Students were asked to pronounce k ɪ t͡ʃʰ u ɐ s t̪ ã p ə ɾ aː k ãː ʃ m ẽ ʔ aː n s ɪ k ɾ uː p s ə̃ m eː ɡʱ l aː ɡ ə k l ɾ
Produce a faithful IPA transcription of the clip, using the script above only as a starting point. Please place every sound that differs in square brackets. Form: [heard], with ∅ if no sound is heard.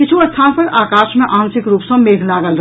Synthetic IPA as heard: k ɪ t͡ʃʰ u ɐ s [t̪ʰ] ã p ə ɾ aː k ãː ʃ m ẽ ʔ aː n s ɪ k ɾ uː p s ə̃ m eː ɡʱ l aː ɡ ə [∅] l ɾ